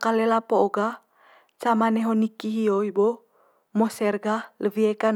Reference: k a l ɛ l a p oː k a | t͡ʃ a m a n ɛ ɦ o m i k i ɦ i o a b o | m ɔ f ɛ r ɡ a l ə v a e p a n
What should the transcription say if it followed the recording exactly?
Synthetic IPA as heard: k a l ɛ l a p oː ɡ a | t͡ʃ a m a n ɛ ɦ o n i k i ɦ i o i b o | m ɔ s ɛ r ɡ a l ə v i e k a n

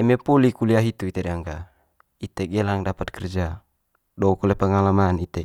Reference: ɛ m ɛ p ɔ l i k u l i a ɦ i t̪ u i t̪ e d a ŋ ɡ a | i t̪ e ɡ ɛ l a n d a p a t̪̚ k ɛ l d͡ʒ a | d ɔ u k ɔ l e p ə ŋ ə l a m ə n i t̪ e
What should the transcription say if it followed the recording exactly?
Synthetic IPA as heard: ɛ m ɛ p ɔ l i k u l i a ɦ i t̪ u i t̪ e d a ŋ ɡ a | i t̪ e ɡ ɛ l a ŋ d a p a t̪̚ k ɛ r d͡ʒ a | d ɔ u k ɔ l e p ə ŋ a l a m a n i t̪ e

